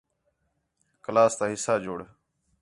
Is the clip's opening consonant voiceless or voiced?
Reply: voiceless